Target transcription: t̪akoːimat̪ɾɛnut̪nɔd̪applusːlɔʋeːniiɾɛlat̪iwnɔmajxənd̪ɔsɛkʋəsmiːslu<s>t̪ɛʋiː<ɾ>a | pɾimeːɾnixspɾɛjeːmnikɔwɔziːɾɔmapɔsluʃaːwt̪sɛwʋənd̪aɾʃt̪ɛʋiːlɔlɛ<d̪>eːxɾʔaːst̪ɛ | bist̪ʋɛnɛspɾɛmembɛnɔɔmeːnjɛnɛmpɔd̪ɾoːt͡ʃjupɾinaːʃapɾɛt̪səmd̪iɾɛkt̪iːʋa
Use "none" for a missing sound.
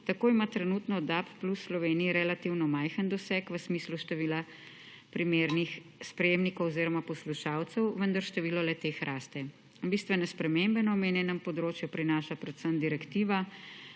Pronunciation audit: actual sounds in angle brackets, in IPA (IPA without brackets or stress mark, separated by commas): ʃ, l, t̪